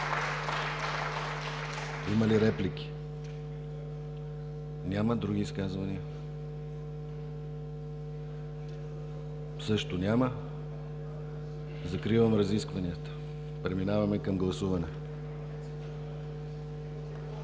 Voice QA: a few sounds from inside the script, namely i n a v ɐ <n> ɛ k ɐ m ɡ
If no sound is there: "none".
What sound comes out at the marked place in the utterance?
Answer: m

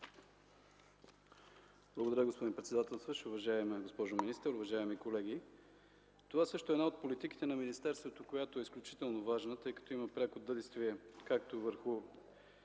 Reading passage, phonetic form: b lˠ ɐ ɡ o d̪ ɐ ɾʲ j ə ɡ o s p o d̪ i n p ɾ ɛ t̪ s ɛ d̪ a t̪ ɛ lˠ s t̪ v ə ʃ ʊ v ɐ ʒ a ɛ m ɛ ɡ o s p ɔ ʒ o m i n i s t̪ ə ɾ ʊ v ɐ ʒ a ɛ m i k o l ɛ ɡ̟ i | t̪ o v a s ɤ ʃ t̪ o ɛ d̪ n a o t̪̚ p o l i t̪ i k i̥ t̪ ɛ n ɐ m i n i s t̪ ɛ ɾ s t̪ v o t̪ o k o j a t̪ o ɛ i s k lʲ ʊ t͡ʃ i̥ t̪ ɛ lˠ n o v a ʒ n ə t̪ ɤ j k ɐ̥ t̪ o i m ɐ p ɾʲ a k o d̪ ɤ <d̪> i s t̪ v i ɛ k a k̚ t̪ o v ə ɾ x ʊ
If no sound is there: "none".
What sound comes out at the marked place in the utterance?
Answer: d̪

